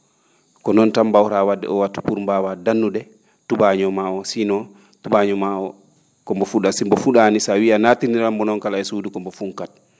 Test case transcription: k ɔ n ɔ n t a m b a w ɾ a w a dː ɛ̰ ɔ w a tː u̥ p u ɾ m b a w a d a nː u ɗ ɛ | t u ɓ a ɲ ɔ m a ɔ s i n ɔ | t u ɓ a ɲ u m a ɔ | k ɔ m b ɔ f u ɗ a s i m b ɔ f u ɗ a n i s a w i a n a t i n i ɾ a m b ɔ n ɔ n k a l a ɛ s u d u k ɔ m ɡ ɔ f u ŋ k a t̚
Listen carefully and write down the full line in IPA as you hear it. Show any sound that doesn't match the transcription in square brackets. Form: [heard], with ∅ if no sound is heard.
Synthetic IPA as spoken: k ɔ n ɔ n t a m b a w ɾ a w a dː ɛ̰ ɔ w a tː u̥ p u ɾ m b a w a d a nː u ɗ ɛ | t u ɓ a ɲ ɔ m a ɔ s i n ɔ | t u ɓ a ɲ [ɔ] m a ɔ | k ɔ m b ɔ f u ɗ a s i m b ɔ f u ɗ a n i s a w i a n a t i n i ɾ a m b ɔ n ɔ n k a l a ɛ s u d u k ɔ m [b] ɔ f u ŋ k a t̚